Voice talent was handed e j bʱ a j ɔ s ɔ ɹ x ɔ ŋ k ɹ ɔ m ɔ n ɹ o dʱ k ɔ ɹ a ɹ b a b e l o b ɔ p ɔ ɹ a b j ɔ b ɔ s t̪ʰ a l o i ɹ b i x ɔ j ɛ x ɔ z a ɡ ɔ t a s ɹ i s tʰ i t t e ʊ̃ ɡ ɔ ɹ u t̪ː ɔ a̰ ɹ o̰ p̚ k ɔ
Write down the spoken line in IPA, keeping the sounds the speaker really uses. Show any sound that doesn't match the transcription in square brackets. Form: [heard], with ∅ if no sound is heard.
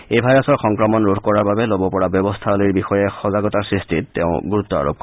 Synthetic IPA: e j bʱ a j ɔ s ɔ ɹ x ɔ ŋ k ɹ ɔ m ɔ n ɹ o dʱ k ɔ ɹ a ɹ b a b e l o b ɔ p ɔ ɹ a b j ɔ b ɔ s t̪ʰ a l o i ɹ b i x ɔ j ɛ x ɔ z a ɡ ɔ t a s ɹ i s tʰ i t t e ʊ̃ ɡ [u] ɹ u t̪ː ɔ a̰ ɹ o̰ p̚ k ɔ